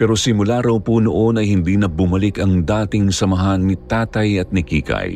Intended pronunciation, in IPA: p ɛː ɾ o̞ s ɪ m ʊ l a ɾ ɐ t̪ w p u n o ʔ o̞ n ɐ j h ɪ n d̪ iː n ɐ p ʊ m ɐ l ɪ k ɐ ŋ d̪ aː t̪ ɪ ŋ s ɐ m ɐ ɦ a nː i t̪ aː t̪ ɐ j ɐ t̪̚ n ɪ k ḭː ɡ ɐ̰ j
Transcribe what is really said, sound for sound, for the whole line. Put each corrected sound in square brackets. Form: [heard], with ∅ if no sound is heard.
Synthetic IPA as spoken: p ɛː ɾ o̞ s ɪ m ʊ l a ɾ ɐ [∅] w p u n o ʔ o̞ n ɐ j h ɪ n d̪ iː n ɐ [b] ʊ m ɐ l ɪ k ɐ ŋ d̪ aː t̪ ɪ ŋ s ɐ m ɐ ɦ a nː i t̪ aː t̪ ɐ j ɐ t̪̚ n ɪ k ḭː [k] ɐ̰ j